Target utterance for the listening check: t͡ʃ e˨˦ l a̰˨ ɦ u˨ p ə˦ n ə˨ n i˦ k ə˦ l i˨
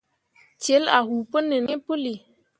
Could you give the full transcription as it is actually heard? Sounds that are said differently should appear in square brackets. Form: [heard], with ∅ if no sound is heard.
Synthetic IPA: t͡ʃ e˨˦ l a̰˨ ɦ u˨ p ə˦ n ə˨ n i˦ [p] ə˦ l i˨